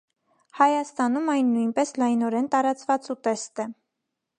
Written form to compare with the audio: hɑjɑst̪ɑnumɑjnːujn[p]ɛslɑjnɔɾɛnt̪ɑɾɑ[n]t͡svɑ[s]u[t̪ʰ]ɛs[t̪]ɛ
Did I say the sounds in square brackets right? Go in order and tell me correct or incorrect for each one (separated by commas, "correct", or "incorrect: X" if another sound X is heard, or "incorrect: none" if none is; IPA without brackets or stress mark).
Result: correct, incorrect: none, incorrect: t͡s, incorrect: t̪, correct